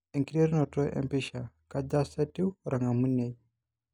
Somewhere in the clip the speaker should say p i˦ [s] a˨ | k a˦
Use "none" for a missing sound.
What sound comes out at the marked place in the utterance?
ʃ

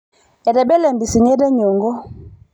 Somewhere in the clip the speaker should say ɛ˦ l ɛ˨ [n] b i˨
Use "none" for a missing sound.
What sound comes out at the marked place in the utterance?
m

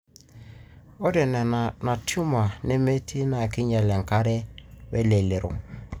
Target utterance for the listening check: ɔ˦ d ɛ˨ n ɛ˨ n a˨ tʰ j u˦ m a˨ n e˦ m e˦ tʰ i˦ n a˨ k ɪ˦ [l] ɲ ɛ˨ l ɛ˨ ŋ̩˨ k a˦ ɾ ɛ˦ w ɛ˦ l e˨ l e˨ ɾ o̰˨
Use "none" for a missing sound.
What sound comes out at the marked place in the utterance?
none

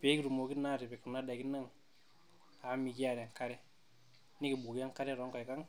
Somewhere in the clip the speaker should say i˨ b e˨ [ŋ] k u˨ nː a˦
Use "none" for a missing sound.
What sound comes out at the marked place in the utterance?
none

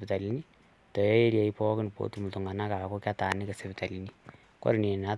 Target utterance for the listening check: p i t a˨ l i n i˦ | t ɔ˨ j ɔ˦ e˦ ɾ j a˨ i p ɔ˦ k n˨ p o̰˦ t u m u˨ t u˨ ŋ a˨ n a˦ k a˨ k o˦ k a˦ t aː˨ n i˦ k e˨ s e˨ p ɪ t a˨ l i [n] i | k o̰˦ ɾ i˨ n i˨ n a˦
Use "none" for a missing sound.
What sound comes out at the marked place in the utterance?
n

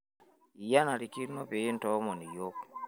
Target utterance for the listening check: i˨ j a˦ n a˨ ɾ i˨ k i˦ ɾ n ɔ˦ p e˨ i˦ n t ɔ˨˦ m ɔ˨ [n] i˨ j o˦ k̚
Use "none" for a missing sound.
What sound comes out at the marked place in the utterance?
n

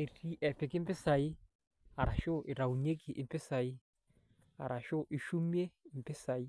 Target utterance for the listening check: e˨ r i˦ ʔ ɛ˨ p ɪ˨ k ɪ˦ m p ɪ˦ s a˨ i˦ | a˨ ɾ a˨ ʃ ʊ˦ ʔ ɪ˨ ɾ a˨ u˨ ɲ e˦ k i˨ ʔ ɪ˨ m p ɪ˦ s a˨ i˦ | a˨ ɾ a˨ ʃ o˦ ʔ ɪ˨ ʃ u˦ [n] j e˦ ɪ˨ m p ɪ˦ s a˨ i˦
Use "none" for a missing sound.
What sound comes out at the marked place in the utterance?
m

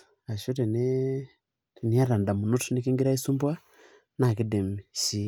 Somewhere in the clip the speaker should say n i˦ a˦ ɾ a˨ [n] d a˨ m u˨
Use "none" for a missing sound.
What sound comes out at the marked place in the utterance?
n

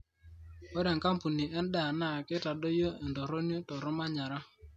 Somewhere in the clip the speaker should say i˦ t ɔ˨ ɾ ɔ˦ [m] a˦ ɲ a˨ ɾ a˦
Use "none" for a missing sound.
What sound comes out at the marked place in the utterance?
m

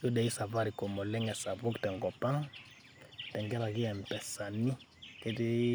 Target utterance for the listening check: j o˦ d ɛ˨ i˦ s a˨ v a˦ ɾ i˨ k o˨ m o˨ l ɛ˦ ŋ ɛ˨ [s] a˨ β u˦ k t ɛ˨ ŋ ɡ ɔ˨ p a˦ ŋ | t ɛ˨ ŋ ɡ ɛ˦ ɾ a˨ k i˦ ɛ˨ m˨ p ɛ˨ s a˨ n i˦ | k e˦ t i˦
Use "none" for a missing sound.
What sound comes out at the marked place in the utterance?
s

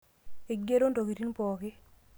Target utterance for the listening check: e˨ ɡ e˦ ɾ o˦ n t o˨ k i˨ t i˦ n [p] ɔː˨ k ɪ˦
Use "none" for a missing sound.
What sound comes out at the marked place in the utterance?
p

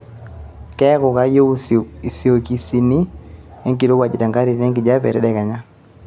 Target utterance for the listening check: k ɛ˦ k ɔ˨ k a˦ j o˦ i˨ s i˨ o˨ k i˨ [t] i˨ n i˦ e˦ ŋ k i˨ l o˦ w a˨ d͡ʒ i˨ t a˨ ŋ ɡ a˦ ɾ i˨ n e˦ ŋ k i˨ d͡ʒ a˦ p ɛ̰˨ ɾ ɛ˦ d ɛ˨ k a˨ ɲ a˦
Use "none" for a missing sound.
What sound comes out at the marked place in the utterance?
s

